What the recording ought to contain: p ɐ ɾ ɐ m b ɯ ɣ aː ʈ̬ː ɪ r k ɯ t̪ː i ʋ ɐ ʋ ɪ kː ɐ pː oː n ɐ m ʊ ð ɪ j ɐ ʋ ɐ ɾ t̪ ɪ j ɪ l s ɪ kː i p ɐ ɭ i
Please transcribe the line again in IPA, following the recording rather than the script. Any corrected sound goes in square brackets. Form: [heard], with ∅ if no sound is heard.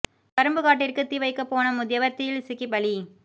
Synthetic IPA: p ɐ ɾ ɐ m b ɯ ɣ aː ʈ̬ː ɪ r k ɯ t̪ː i ʋ ɐ [∅] ɪ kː ɐ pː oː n ɐ m ʊ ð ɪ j ɐ ʋ ɐ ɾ t̪ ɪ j ɪ l s ɪ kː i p ɐ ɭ i

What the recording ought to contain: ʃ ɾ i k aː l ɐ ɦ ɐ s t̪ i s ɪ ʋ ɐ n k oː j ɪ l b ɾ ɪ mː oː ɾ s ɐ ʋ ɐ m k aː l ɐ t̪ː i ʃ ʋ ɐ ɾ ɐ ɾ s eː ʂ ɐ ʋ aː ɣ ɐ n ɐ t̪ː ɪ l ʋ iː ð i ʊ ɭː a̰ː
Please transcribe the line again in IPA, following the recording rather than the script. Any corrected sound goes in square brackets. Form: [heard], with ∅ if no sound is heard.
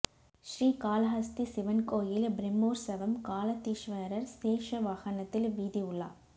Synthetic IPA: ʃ ɾ [iː] k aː l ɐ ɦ ɐ s t̪ i s ɪ ʋ ɐ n k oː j ɪ l b ɾ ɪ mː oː ɾ s ɐ ʋ ɐ m k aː l ɐ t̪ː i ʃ ʋ ɐ ɾ ɐ ɾ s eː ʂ ɐ ʋ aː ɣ ɐ n ɐ t̪ː ɪ l ʋ iː ð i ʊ ɭː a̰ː

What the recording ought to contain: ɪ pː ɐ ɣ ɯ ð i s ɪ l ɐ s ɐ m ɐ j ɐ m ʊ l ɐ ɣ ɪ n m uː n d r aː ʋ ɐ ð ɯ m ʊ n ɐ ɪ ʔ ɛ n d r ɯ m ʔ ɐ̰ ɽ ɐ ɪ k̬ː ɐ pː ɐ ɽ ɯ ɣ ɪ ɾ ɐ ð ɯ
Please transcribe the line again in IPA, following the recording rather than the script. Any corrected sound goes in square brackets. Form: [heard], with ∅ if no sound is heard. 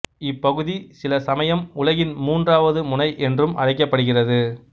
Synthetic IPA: ɪ pː ɐ ɣ ɯ ð i s ɪ l ɐ s ɐ m ɐ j ɐ m ʊ l ɐ ɣ ɪ n m uː n d r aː ʋ ɐ ð ɯ m ʊ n ɐ ɪ ʔ ɛ n d r ɯ m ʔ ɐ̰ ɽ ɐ ɪ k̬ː ɐ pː ɐ ɽ ɯ ɣ ɪ [r] ɐ ð ɯ

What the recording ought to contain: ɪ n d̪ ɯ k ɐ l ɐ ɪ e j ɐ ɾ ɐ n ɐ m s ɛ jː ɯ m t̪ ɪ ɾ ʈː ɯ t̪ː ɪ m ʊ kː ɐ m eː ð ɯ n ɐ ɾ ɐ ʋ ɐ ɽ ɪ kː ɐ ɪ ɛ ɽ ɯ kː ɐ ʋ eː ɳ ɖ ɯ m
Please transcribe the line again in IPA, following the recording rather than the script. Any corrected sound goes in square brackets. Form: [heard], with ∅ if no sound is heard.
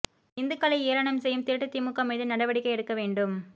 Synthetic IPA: ɪ n d̪ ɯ k ɐ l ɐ ɪ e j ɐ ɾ ɐ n ɐ m s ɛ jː ɯ m t̪ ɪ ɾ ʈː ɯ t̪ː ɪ m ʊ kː ɐ m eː ð ɯ n ɐ [ɽ] ɐ ʋ ɐ ɽ ɪ kː ɐ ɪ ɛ ɽ ɯ kː ɐ ʋ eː ɳ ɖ ɯ m

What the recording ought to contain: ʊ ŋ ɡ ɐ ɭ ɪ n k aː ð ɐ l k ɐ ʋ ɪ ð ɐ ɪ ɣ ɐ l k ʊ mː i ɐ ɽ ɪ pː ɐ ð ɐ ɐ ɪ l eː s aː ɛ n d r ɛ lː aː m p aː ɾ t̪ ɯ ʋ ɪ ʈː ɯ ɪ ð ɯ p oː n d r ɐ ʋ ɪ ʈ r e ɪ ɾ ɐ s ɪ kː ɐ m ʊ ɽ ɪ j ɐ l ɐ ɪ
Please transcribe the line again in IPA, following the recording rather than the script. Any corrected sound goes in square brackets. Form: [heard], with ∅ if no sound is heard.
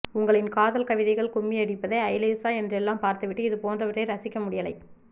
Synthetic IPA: ʊ ŋ ɡ ɐ ɭ ɪ n k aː ð ɐ l k ɐ ʋ ɪ ð ɐ ɪ ɣ ɐ [ɭ] k ʊ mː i ɐ ɽ ɪ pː ɐ ð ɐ ɐ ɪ l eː s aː ɛ n d r ɛ lː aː m p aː ɾ t̪ ɯ ʋ ɪ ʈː ɯ ɪ ð ɯ p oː n d r ɐ ʋ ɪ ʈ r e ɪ ɾ ɐ s ɪ kː ɐ m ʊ ɽ ɪ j ɐ l ɐ ɪ

